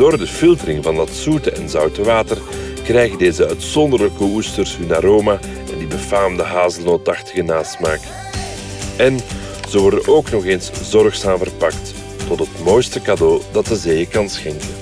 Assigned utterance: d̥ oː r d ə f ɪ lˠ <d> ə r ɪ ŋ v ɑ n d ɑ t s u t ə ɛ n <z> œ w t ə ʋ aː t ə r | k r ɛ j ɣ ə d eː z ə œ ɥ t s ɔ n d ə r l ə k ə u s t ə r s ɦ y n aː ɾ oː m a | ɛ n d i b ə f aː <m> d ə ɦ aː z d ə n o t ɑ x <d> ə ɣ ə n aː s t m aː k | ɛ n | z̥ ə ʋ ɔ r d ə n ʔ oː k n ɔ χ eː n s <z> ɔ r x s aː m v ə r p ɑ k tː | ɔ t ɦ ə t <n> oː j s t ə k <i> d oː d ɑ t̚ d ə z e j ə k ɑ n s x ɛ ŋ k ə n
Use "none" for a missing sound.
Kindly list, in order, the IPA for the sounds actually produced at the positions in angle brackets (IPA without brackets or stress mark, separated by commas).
t, z, m, t, z, m, a